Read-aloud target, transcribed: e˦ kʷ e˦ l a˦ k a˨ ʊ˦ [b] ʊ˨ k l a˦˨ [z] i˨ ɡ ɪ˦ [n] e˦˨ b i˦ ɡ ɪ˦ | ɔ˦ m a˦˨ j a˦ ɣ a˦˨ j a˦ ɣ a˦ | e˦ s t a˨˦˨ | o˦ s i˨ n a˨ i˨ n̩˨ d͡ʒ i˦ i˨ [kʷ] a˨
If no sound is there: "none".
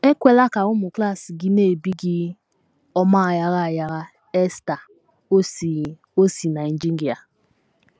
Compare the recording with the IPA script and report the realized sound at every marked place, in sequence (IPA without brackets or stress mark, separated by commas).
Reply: m, s, n, none